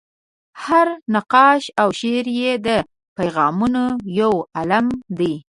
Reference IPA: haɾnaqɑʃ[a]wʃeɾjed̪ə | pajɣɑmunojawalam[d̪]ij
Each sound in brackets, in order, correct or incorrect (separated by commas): correct, correct